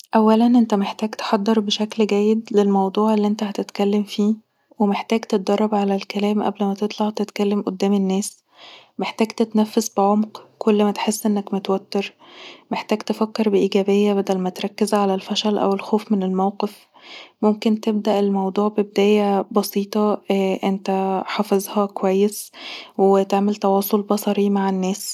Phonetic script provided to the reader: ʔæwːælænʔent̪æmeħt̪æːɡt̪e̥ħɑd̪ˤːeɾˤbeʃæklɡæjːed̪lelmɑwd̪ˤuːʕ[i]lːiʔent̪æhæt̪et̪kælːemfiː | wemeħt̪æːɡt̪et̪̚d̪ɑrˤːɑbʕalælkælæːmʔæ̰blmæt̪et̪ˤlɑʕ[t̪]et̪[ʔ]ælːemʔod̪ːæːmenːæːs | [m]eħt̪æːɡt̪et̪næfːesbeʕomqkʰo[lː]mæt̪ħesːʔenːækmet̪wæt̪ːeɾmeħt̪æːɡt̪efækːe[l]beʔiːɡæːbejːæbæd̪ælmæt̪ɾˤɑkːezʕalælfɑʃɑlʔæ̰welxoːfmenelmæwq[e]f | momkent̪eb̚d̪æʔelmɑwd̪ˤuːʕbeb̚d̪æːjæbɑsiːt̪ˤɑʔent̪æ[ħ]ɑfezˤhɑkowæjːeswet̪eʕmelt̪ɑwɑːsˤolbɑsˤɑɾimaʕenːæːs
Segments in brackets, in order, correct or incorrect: incorrect, correct, incorrect, correct, correct, incorrect, correct, correct

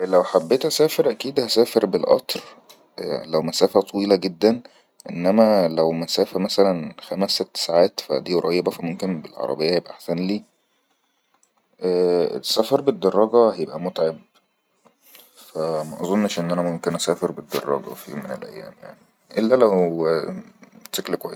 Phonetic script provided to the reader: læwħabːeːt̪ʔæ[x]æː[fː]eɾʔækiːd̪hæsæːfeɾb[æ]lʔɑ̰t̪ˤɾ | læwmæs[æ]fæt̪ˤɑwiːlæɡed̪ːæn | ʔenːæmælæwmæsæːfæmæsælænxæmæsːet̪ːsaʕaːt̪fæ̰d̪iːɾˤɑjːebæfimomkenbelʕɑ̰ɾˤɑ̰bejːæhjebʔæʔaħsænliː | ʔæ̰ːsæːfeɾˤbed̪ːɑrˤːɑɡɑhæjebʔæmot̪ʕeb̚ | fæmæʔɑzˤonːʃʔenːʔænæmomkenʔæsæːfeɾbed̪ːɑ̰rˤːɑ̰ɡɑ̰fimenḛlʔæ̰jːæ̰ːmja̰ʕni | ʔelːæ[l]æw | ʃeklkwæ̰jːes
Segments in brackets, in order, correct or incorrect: incorrect, incorrect, incorrect, incorrect, correct

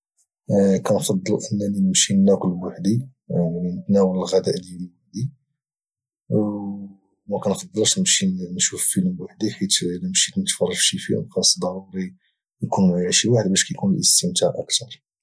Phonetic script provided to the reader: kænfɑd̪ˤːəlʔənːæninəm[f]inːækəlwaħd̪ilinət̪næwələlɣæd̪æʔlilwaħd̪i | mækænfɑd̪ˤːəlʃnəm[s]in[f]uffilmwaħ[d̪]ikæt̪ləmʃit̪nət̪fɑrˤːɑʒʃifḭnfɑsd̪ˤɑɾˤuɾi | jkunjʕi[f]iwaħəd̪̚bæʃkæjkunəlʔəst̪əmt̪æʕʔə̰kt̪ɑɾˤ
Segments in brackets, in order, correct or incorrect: incorrect, incorrect, incorrect, correct, incorrect

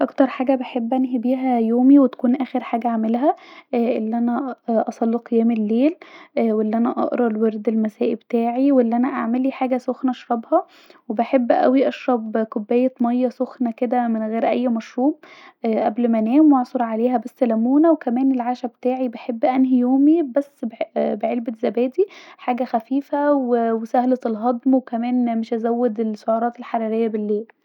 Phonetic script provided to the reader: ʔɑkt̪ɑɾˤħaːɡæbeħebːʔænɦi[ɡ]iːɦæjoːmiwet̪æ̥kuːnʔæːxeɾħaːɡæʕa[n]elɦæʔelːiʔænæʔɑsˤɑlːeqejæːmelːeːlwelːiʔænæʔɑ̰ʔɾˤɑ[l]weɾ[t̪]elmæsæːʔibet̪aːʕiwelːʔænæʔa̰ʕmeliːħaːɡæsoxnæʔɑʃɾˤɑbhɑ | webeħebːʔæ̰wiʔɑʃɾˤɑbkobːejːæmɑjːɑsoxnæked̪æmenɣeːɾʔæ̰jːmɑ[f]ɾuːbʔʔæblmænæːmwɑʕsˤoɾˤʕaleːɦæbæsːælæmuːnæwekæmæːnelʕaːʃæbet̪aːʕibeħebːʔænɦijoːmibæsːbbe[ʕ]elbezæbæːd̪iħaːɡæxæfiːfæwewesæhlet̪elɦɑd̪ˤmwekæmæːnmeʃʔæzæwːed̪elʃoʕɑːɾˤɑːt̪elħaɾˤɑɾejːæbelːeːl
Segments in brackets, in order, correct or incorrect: incorrect, incorrect, correct, incorrect, incorrect, correct

